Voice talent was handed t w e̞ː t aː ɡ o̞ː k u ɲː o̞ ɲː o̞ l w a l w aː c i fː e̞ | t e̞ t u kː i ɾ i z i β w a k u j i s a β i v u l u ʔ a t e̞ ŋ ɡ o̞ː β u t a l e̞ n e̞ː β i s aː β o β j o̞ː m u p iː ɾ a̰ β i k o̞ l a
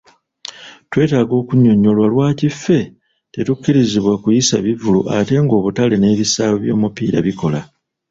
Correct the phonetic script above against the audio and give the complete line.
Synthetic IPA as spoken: t w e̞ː t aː ɡ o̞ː k u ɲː o̞ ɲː o̞ l w a l w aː c i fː e̞ | t e̞ t u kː i ɾ i z i β w a k u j i s a β i v u l u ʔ a t e̞ ŋ ɡ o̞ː β u t a l e̞ n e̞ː β i s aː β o β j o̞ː m u p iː ɾ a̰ β i k o̞ l a

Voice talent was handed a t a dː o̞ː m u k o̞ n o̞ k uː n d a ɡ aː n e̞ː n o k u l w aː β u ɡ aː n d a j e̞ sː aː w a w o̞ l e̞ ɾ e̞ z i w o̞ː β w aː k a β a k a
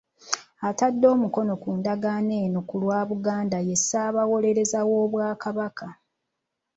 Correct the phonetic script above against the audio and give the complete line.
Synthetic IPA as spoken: a t a dː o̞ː m u k o̞ n o̞ k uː n d a ɡ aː n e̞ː n o k u l w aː β u ɡ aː n d a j e̞ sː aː β a w o̞ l e̞ ɾ e̞ z a w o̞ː β w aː k a β a k a

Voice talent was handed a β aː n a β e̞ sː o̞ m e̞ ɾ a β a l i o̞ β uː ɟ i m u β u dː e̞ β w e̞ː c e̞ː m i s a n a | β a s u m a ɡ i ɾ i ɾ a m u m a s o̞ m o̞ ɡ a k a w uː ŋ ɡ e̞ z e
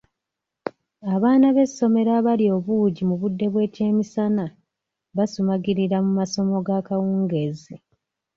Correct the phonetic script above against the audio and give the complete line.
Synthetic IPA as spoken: a β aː n a β e̞ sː o̞ m e̞ ɾ a β a l i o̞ β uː ɟ i m u β u dː e̞ β w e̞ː c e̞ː m i s a n a | β a s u m a ɡ i ɾ i ɾ a m u m a s o̞ m o̞ ɡ a k a w uː ŋ ɡ e̞ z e

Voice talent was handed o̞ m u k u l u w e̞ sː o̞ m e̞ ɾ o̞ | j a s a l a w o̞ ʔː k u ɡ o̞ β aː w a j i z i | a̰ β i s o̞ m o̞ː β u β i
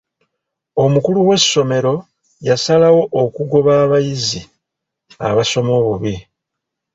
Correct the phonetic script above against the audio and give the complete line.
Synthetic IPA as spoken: o̞ m u k u l u w e̞ sː o̞ m e̞ ɾ o̞ | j a s a l a w o̞ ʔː k u ɡ o̞ β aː β a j i z i | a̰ β a s o̞ m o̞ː β u β i

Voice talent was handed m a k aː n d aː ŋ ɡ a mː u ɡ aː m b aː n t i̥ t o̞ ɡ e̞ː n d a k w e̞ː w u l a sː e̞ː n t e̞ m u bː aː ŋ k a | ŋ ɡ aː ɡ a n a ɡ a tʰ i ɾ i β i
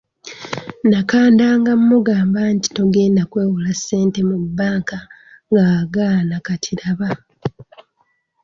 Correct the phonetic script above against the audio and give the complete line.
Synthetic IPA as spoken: n a k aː n d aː ŋ ɡ a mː u ɡ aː m b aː n t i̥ t o̞ ɡ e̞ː n d a k w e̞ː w u l a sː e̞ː n t e̞ m u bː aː ŋ k a | ŋ ɡ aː ɡ a n a k a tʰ i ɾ a β a

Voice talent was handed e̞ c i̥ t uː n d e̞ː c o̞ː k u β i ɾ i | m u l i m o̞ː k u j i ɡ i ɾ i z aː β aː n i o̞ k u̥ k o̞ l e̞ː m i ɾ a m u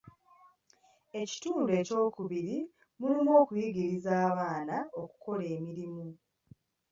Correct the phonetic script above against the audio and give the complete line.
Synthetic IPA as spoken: e̞ c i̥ t uː n d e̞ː c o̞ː k u β i ɾ i | m u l i m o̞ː k u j i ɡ i ɾ i z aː β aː n a o̞ k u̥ k o̞ l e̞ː m i ɾ i m u

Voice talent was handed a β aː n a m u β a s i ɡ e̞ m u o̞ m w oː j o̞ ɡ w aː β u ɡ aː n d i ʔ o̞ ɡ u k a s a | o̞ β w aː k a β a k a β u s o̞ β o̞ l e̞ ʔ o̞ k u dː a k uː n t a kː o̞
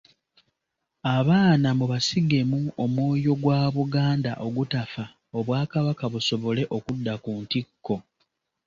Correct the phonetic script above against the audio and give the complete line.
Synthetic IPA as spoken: a β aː n a m u β a s i ɡ e̞ m u o̞ m w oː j o̞ ɡ w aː β u ɡ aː n d a ʔ o̞ ɡ u t a f a | o̞ β w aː k a β a k a β u s o̞ β o̞ l e̞ ʔ o̞ k u dː a k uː n t i kː o̞

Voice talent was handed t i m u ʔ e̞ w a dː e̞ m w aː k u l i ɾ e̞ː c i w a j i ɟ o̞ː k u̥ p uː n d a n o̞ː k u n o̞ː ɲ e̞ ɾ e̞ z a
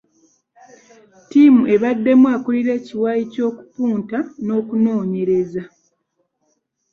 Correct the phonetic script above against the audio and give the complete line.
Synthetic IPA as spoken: t i m u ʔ e̞ β a dː e̞ m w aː k u l i ɾ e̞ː c i w a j i c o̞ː k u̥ p uː n t a n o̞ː k u n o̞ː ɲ e̞ ɾ e̞ z a

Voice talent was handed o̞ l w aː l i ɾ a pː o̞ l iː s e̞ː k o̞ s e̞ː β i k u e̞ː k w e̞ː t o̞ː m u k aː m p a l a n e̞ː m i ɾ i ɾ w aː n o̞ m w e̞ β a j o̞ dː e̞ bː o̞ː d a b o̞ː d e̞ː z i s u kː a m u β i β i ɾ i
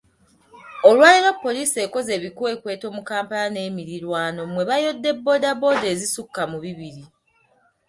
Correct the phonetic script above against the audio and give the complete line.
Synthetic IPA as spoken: o̞ l w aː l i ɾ a pː o̞ l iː s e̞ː k o̞ z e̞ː β i k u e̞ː k w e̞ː t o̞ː m u k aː m p a l a n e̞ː m i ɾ i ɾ w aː n o̞ m w e̞ β a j o̞ dː e̞ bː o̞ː d a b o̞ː d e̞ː z i s u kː a m u β i β i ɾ i

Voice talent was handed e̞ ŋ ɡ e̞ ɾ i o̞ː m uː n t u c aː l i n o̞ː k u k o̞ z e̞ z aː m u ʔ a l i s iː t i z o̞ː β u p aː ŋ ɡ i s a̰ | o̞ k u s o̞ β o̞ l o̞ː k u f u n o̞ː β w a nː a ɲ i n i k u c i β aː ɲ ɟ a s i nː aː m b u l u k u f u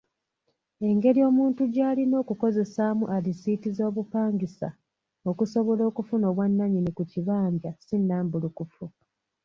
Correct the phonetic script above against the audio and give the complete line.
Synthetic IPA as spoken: e̞ ŋ ɡ e̞ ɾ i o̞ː m uː n t u ɟ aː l i n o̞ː k u k o̞ z e̞ s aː m u ʔ a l i s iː t i z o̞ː β u p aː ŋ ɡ i s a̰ | o̞ k u s o̞ β o̞ l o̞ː k u f u n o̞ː β w a nː a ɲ i n i k u c i β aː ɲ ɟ a s i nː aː m b u l u k u f u

